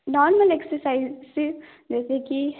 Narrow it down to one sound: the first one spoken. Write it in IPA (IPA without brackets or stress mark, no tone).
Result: n